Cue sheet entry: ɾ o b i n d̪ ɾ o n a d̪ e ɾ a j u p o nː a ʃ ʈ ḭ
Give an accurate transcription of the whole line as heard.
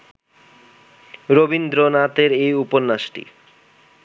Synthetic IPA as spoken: ɾ o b i n d̪ ɾ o n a t̪ e ɾ e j u p o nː a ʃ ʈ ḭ